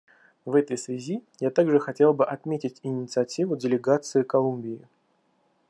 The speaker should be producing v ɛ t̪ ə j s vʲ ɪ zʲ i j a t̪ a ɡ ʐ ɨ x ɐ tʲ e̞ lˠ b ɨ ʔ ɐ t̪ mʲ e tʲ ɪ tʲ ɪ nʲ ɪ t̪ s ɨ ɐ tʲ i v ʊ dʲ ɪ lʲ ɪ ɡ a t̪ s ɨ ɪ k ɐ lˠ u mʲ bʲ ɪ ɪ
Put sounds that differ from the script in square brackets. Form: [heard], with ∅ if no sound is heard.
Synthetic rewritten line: v ɛ t̪ ə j s vʲ ɪ zʲ i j a t̪ a ɡ ʐ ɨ x ɐ tʲ e̞ lˠ b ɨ ʔ ɐ t̪ mʲ e tʲ ɪ tʲ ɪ nʲ ɪ t̪ s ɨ ɐ tʲ i v ʊ dʲ ɪ lʲ ɪ ɡ a t̪ s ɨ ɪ k ɐ lˠ u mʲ bʲ ɪ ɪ